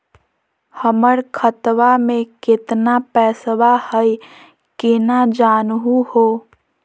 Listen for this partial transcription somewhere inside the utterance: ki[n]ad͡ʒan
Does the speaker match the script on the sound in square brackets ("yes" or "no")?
yes